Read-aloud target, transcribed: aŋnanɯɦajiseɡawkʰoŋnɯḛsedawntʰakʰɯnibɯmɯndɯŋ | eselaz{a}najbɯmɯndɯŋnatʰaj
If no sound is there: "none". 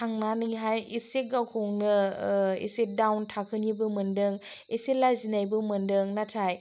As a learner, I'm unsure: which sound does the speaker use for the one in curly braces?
i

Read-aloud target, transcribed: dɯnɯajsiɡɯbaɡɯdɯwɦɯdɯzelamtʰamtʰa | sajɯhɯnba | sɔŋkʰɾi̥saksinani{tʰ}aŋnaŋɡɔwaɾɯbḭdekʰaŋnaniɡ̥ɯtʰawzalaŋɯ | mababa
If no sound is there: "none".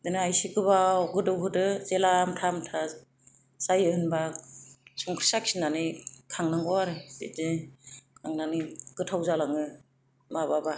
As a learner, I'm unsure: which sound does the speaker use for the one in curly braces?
kʰ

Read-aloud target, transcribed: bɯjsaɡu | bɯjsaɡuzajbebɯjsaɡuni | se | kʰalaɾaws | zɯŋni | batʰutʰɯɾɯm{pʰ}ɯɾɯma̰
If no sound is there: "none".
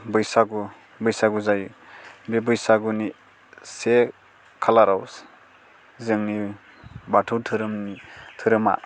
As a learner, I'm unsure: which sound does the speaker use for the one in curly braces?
tʰ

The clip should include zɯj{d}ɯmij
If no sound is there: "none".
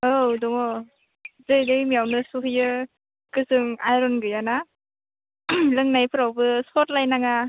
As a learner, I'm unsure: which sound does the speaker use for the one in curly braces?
d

